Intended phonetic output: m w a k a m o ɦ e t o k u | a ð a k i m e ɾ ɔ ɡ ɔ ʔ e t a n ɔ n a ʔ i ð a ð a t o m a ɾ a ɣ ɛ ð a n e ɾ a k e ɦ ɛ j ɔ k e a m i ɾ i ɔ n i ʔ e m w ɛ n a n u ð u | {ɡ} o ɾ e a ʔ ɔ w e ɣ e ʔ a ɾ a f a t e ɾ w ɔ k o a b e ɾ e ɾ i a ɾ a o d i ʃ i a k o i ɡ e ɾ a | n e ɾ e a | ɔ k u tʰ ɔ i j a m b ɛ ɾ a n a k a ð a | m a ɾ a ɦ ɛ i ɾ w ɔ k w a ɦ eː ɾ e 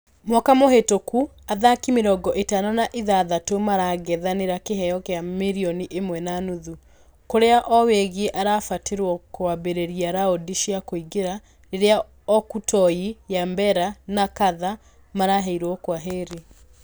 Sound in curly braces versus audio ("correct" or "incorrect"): incorrect